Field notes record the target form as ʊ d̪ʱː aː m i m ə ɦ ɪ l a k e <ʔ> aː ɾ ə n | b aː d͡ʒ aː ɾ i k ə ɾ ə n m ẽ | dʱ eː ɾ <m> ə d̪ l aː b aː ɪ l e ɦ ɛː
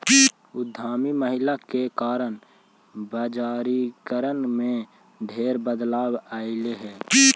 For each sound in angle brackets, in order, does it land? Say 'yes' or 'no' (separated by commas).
no, no